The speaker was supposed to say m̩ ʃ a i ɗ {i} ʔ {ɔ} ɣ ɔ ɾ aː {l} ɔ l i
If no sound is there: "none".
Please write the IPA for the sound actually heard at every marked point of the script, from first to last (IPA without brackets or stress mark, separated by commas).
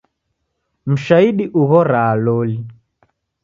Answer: i, u, l